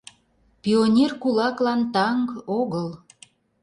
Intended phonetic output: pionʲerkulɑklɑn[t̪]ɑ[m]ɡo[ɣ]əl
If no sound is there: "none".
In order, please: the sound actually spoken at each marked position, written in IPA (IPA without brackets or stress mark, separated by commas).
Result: t̪, ŋ, ɣ